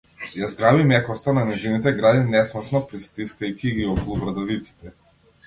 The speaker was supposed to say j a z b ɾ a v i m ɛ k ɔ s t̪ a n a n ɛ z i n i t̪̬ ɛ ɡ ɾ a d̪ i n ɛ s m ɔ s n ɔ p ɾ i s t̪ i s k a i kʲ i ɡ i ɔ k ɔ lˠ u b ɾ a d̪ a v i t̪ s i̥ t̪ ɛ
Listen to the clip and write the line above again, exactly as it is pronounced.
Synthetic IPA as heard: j a z ɡ ɾ a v i m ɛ k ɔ s t̪ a n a n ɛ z i n i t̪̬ ɛ ɡ ɾ a d̪ i n ɛ s m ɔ s n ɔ p ɾ i s t̪ i s k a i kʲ i ɡ i ɔ k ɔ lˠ u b ɾ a d̪ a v i t̪ s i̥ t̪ ɛ

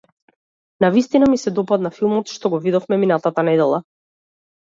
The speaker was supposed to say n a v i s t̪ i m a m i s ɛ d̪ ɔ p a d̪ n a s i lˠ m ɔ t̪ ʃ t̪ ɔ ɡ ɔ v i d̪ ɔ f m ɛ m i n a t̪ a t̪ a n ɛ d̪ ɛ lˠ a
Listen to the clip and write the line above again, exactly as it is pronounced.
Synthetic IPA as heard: n a v i s t̪ i n a m i s ɛ d̪ ɔ p a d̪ n a f i lˠ m ɔ t̪ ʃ t̪ ɔ ɡ ɔ v i d̪ ɔ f m ɛ m i n a t̪ a t̪ a n ɛ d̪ ɛ lˠ a

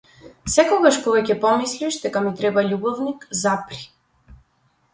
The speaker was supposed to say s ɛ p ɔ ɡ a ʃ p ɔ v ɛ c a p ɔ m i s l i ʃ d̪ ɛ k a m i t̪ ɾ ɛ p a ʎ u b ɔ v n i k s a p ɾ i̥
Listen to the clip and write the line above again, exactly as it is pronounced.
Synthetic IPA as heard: s ɛ k ɔ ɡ a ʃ p ɔ v ɛ c ɛ p ɔ m i s l i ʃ d̪ ɛ k a m i t̪ ɾ ɛ b a ʎ u b ɔ v n i k z a p ɾ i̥

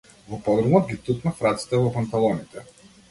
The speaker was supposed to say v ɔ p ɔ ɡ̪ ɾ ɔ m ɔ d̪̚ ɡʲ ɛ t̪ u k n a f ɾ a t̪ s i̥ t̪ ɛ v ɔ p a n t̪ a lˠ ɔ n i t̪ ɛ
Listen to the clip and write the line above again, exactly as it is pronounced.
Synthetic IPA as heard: v ɔ p ɔ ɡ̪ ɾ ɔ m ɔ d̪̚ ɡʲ i t̪ u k n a f ɾ a t̪ s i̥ t̪ ɛ v ɔ p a n t̪ a lˠ ɔ n i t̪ ɛ

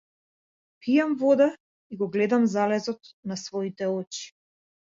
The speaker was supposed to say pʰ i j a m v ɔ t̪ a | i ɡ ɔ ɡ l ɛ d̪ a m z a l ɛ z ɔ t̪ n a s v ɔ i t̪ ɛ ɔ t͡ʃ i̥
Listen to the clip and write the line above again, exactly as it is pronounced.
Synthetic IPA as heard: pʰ i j a m v ɔ d̪ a | i ɡ ɔ ɡ l ɛ d̪ a m z a l ɛ z ɔ t̪ n a s v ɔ i t̪ ɛ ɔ t͡ʃ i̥

